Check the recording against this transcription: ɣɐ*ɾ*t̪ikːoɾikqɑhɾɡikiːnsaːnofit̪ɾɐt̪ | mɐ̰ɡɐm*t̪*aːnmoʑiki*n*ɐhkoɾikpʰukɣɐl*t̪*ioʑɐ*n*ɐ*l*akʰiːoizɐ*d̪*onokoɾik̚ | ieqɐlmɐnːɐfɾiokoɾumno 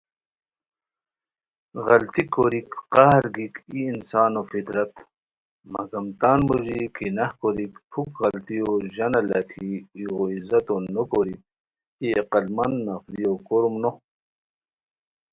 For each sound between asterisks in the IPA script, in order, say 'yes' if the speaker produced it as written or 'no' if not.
no, yes, yes, yes, yes, yes, no

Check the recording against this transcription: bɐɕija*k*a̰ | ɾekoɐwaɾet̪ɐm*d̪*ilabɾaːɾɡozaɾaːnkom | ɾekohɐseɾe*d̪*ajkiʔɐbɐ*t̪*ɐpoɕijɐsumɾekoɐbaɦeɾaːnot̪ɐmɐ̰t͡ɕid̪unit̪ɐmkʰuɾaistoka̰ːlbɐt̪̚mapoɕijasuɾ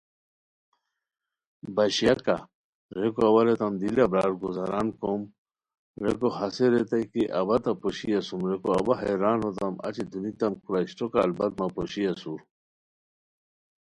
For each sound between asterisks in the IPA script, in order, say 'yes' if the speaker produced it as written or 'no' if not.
yes, yes, no, yes

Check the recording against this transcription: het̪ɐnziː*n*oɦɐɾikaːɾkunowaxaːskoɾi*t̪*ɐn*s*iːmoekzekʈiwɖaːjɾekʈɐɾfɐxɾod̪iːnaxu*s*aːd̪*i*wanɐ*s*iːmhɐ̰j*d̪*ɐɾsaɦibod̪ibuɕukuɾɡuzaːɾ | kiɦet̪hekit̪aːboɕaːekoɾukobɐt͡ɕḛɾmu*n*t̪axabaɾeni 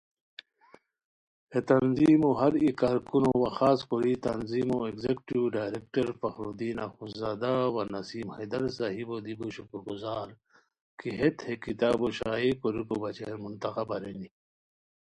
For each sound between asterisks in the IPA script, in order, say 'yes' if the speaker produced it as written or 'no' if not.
no, yes, no, no, no, yes, yes, yes

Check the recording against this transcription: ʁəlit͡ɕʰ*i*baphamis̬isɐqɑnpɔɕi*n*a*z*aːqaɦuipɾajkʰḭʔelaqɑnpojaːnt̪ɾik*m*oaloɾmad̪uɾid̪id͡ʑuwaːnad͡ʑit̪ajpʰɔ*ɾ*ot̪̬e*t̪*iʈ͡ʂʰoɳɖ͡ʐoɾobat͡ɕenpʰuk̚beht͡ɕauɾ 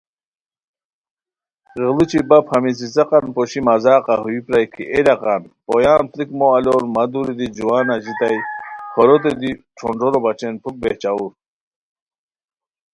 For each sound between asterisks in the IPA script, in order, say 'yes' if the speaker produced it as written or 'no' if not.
yes, no, yes, yes, yes, no

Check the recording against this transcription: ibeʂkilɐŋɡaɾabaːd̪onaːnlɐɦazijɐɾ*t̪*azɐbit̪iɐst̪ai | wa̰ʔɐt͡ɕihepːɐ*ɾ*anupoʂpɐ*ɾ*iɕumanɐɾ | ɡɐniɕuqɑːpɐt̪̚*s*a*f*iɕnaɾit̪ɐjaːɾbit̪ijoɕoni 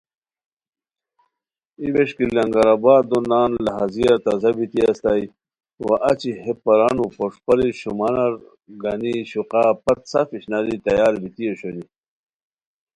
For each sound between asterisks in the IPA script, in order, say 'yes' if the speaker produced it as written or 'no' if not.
yes, yes, yes, yes, yes

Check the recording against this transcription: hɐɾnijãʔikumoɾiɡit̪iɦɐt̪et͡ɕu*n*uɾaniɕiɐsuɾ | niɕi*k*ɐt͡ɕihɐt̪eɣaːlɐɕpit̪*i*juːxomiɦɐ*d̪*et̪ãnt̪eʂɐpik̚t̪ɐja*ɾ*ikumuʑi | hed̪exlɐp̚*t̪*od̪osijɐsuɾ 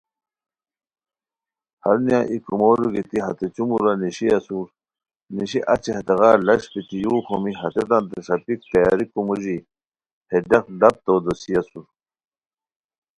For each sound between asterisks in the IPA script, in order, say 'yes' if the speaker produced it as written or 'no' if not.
no, no, yes, no, yes, yes

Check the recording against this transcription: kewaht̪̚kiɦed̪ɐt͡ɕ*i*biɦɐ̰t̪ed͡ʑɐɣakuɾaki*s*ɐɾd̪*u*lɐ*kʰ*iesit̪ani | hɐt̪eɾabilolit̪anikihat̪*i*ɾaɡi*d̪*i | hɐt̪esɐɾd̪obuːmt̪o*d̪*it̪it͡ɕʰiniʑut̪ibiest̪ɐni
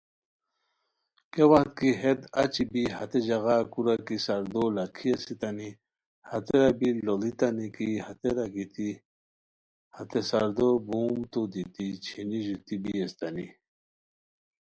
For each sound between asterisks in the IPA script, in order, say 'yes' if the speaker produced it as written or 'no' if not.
yes, yes, no, yes, no, no, yes

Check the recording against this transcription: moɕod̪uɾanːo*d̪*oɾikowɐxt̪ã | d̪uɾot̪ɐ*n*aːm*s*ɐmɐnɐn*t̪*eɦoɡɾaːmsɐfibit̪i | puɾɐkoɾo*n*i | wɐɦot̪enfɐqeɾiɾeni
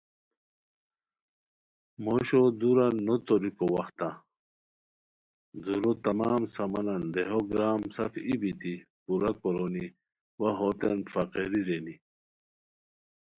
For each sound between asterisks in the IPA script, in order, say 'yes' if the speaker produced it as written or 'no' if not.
no, no, yes, no, yes

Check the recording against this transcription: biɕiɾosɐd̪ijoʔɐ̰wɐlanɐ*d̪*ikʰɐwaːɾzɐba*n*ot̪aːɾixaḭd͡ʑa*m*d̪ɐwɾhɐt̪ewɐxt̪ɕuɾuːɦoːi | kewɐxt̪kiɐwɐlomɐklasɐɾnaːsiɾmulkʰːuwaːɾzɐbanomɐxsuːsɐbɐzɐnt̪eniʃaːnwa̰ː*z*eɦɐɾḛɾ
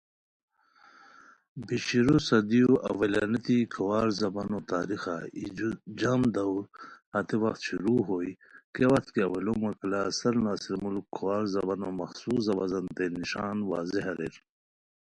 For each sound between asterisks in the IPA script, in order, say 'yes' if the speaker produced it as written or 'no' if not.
no, yes, yes, yes

